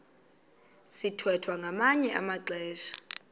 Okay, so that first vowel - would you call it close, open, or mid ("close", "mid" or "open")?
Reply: close